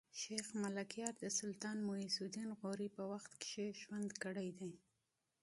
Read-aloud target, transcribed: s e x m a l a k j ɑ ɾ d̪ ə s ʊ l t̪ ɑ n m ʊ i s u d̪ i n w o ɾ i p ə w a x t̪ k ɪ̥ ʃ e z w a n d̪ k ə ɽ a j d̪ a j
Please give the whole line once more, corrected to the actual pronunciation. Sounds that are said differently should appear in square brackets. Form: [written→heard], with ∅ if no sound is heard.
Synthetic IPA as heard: [s→ʃ] e x m a l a k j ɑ ɾ d̪ ə s ʊ l t̪ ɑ n m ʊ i s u d̪ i n [w→ɣ] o ɾ i p ə w a x t̪ k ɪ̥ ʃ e [z→ʒ] w a n d̪ k ə ɽ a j d̪ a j